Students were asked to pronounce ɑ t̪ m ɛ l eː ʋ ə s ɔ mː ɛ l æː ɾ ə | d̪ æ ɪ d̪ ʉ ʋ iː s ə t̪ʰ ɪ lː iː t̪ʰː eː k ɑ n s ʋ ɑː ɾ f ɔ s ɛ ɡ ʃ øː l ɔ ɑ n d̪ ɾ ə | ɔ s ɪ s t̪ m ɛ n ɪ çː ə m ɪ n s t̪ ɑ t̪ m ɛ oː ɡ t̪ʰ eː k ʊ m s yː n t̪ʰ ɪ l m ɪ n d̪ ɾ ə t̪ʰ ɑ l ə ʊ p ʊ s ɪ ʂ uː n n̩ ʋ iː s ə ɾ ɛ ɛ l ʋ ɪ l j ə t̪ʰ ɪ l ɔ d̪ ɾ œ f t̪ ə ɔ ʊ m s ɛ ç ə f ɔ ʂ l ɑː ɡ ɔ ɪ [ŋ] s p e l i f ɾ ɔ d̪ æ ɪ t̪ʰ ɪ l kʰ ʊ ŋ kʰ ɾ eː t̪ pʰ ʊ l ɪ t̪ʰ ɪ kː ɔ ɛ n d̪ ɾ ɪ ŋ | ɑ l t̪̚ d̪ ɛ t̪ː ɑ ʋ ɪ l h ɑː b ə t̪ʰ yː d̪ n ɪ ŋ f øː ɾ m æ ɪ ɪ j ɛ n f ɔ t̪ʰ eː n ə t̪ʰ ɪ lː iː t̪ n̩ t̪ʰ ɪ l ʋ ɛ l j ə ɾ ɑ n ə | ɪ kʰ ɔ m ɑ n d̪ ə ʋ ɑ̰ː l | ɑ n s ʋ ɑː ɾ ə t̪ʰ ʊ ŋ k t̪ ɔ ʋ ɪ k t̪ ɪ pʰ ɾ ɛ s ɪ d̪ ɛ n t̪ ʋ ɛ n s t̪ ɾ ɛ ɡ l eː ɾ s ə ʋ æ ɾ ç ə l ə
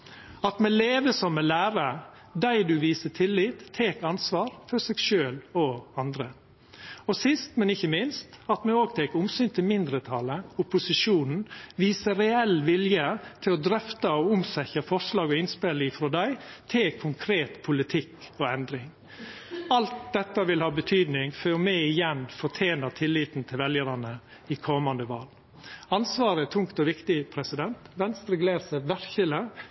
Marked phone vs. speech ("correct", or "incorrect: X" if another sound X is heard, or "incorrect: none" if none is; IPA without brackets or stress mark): incorrect: n